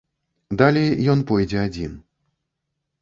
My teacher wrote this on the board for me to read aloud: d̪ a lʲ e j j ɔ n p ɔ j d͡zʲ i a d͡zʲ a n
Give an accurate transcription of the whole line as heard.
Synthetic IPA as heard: d̪ a lʲ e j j ɔ n p ɔ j d͡zʲ ɛ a d͡zʲ i n

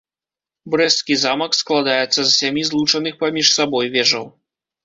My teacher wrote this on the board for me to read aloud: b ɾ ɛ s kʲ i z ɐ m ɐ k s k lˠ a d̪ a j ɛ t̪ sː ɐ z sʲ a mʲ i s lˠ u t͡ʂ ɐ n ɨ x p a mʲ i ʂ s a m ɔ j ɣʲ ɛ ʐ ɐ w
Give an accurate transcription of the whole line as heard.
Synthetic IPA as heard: b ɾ ɛ s kʲ i z a m ɐ k s k lˠ a d̪ a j ɛ t̪ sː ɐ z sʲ a mʲ i z lˠ u t͡ʂ ɐ n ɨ x p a mʲ i ʂ s a b ɔ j vʲ ɛ ʐ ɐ w

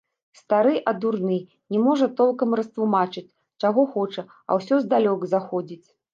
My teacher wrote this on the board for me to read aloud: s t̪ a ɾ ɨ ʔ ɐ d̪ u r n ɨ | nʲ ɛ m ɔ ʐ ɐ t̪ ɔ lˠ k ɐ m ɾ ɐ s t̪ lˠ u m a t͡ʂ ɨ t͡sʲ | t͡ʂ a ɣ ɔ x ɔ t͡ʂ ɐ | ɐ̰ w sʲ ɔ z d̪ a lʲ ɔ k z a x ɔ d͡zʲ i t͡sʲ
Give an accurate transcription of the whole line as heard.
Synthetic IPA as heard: s t̪ a ɾ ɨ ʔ ɐ d̪ u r n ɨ | nʲ ɛ m ɔ ʐ ɐ t̪ ɔ lˠ k ɐ m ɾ ɐ s t̪ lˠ u m a t͡ʂ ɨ t͡sʲ | t͡ʂ a ɣ ɔ x ɔ t͡ʂ ɐ | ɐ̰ w sʲ ɔ z d̪ a lʲ ɔ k z a x ɔ d͡zʲ i t͡sʲ

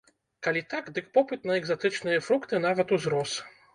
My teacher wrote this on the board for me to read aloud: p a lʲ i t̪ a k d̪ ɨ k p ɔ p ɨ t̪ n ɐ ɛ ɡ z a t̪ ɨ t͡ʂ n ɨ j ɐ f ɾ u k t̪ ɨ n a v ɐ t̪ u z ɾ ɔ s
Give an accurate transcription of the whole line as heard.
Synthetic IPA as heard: k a lʲ i t̪ a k d̪ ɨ k p ɔ p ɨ t̪ n ɐ ɛ ɡ z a t̪ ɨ t͡ʂ n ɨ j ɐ f ɾ u k t̪ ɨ n a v ɐ t̪ u z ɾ ɔ s

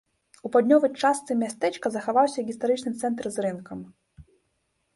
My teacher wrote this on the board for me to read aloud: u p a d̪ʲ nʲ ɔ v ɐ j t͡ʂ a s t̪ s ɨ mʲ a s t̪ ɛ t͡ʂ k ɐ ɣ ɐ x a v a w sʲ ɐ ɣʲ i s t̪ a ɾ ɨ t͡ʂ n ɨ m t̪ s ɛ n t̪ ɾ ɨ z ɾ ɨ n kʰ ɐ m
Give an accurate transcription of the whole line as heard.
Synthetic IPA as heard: u p a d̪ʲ nʲ ɔ v ɐ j t͡ʂ a s t̪ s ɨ mʲ a s t̪ ɛ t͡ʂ k ɐ z ɐ x a v a w sʲ ɐ ɣʲ i s t̪ a ɾ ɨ t͡ʂ n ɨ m t̪ s ɛ n t̪ ɾ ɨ z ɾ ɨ n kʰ ɐ m

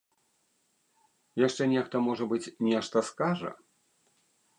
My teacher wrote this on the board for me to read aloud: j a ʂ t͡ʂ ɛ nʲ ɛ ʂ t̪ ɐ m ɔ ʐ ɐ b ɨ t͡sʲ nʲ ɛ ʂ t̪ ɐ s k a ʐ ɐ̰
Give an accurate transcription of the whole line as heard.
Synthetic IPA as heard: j a ʂ t͡ʂ ɛ nʲ ɛ x t̪ ɐ m ɔ ʐ ɐ b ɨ t͡sʲ nʲ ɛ ʂ t̪ ɐ s k a ʐ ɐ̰

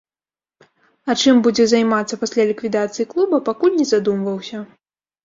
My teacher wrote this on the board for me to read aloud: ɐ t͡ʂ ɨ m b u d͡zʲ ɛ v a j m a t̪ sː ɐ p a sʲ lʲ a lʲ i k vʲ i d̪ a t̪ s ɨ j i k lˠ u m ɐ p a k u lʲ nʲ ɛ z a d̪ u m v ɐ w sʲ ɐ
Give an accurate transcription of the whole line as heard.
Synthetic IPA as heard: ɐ t͡ʂ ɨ m b u d͡zʲ ɛ z a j m a t̪ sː ɐ p a sʲ lʲ a lʲ i k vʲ i d̪ a t̪ s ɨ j i k lˠ u b ɐ p a k u lʲ nʲ ɛ z a d̪ u m v ɐ w sʲ ɐ

